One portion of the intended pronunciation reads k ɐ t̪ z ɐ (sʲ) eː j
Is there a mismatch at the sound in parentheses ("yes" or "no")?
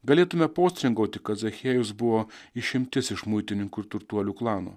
yes